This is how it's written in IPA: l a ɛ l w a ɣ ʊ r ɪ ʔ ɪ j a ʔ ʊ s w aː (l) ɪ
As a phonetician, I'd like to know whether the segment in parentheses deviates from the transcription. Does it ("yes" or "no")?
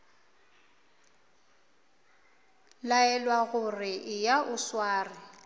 yes